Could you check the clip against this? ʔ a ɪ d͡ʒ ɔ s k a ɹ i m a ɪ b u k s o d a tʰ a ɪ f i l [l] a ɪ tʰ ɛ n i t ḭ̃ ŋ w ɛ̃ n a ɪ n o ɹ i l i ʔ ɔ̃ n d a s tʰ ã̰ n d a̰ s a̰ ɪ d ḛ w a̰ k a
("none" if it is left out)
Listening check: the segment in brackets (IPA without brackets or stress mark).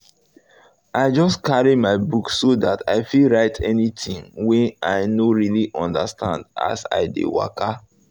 ɹ